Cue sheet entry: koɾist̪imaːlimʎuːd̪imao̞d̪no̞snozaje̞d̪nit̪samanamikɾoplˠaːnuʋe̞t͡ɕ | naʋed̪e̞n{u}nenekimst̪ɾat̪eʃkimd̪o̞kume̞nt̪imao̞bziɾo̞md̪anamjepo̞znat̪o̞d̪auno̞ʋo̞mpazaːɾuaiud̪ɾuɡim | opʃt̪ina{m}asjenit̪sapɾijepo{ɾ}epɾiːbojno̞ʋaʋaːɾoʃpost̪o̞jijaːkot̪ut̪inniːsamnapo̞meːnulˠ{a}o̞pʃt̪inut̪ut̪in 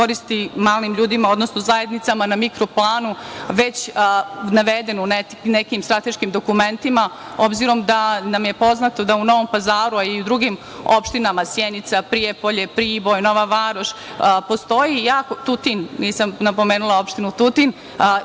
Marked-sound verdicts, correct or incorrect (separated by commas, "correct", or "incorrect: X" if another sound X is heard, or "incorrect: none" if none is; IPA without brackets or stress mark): correct, correct, incorrect: ʎ, correct